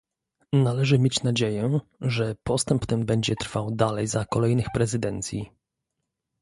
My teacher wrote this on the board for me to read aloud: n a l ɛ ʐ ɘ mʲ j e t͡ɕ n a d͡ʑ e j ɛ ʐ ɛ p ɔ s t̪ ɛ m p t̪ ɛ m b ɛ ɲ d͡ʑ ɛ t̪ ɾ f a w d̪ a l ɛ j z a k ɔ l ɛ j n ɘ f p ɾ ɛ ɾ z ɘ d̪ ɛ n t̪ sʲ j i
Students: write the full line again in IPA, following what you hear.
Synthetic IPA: n a l ɛ ʐ ɘ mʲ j e t͡ɕ n a d͡ʑ e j ɛ ʐ ɛ p ɔ s t̪ ɛ m p t̪ ɛ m b ɛ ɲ d͡ʑ ɛ t̪ ɾ f a w d̪ a l ɛ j z a k ɔ l ɛ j n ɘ x p ɾ ɛ z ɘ d̪ ɛ n t̪ sʲ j i